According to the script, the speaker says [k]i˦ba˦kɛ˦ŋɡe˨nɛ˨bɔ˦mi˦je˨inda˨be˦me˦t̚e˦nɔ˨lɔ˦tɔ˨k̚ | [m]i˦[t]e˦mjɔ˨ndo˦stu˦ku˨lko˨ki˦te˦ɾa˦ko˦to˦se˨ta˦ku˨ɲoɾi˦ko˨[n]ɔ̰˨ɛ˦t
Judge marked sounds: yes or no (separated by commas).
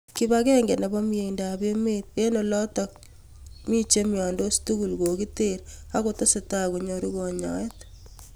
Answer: yes, yes, no, no